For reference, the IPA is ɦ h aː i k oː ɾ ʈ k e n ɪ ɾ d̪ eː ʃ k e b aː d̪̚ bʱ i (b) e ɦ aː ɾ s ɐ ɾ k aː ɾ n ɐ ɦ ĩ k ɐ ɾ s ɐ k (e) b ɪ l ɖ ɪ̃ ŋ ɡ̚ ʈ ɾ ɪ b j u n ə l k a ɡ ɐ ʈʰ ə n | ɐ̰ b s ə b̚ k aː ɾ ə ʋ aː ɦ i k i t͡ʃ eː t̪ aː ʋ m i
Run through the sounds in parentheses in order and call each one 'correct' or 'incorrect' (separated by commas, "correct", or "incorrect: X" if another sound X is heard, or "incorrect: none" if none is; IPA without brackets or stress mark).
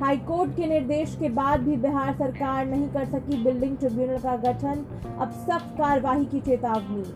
correct, incorrect: i